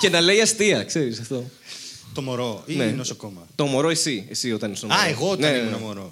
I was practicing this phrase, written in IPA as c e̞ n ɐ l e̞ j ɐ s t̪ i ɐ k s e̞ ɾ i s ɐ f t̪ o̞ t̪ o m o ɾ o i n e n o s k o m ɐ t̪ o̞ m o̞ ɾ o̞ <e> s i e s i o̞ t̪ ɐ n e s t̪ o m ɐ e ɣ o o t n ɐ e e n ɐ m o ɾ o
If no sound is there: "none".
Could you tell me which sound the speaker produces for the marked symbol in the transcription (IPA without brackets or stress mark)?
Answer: e